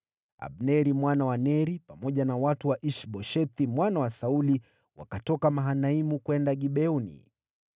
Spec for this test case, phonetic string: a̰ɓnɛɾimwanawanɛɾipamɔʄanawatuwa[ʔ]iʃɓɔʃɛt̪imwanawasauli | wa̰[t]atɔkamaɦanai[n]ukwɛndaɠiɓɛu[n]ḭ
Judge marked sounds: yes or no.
yes, no, no, yes

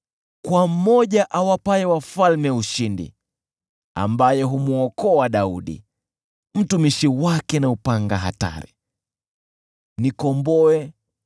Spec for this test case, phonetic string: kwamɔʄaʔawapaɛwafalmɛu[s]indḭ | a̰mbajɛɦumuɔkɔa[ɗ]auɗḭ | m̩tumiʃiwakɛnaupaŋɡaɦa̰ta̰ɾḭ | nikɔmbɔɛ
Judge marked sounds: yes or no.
no, yes

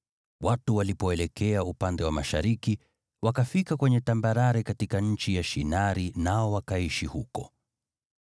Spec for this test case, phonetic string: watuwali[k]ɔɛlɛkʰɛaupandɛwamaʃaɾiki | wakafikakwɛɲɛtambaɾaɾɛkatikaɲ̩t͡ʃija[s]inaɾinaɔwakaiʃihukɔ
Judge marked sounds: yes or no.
no, no

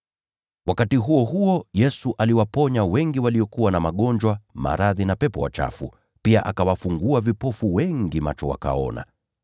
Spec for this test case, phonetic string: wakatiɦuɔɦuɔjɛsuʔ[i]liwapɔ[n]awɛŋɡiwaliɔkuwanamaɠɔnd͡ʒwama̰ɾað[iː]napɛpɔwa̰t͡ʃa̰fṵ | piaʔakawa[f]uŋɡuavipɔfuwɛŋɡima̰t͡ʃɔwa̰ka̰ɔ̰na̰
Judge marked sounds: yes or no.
no, no, no, yes

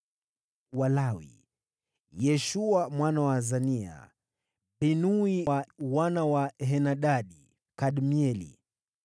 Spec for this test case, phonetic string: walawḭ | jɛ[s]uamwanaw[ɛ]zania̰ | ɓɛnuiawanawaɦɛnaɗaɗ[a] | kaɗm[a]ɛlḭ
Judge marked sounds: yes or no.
no, no, no, no

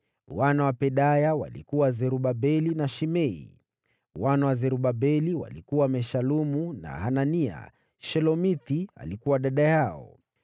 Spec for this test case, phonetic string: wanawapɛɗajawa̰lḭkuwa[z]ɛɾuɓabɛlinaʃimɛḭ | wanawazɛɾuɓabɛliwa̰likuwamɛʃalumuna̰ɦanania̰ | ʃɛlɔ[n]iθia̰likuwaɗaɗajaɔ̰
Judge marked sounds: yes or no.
yes, no

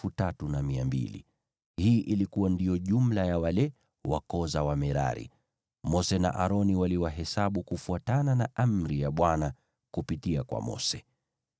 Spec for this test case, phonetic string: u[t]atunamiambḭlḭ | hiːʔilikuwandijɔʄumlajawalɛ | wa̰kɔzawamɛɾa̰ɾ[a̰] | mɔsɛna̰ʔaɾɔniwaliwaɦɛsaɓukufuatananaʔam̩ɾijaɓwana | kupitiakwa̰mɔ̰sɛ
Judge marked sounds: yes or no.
yes, no

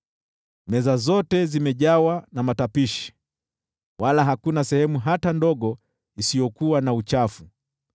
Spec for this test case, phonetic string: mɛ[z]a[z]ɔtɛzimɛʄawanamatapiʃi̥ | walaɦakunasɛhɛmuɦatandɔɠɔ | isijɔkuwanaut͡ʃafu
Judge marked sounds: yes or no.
yes, yes

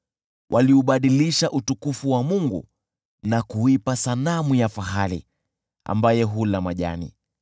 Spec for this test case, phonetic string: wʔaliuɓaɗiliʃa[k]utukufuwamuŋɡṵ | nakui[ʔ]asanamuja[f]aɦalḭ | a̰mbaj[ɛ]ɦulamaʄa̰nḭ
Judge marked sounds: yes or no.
no, no, yes, yes

